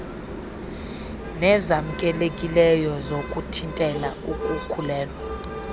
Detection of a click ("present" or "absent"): absent